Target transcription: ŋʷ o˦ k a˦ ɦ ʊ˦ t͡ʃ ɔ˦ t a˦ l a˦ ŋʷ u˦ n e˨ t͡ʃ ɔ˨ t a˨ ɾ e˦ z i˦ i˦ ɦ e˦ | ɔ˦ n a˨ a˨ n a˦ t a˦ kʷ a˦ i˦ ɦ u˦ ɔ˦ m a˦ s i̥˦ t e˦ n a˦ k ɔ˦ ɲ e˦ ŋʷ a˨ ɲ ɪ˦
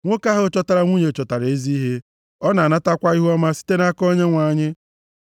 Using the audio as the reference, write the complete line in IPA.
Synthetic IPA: ŋʷ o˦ k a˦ ɦ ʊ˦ t͡ʃ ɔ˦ t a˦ ɾ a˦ ŋʷ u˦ ɲ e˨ t͡ʃ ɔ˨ t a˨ ɾ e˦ z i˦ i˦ ɦ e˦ | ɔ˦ n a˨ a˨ n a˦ t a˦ kʷ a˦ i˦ ɦ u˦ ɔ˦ m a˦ s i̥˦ t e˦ n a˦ k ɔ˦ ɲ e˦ ŋʷ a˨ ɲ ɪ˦